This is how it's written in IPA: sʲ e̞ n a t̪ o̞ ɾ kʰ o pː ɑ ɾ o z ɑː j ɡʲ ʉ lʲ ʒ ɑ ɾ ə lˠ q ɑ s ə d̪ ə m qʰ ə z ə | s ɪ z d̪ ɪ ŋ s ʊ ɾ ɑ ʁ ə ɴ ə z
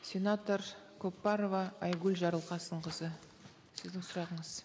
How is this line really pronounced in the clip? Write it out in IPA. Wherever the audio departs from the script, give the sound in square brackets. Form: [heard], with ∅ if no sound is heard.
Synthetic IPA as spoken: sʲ e̞ n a t̪ o̞ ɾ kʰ o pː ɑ ɾ o [v] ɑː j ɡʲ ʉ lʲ ʒ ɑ ɾ ə lˠ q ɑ s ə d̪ ə [ɴ] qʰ ə z ə | s ɪ z d̪ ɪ ŋ s ʊ ɾ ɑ ʁ ə ɴ ə z